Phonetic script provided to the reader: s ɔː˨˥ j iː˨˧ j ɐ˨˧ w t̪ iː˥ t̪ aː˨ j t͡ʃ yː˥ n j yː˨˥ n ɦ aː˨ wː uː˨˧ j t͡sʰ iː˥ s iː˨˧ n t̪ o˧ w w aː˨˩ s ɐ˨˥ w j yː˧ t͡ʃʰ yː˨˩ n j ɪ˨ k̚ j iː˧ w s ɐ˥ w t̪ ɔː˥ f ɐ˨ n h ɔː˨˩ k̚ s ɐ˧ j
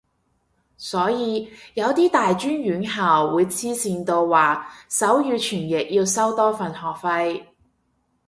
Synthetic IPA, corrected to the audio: s ɔː˨˥ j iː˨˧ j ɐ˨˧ w t̪ iː˥ t̪ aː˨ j t͡ʃ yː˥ n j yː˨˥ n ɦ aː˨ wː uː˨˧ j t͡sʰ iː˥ s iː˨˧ n t̪ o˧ w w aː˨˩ s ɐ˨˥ w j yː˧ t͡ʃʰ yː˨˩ n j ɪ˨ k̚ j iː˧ w s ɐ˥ w t̪ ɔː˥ f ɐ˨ n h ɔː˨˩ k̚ f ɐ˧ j